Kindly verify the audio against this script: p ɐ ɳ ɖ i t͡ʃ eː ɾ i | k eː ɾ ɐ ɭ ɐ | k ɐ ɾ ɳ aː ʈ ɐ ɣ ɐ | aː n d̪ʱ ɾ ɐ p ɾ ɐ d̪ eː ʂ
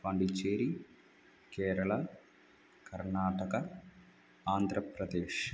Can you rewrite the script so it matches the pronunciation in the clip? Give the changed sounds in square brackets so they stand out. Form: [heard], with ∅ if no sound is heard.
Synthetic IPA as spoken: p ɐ ɳ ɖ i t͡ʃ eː ɾ i | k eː ɾ ɐ ɭ ɐ | k ɐ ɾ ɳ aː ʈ ɐ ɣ ɐ | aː n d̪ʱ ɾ ɐ p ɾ ɐ d̪ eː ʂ